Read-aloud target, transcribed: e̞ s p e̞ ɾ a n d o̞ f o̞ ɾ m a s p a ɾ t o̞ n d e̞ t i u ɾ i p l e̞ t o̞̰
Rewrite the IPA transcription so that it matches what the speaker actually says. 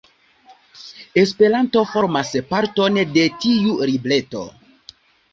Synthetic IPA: e̞ s p e̞ ɾ a n t o̞ f o̞ ɾ m a s p a ɾ t o̞ n d e̞ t i u ɾ i b l e̞ t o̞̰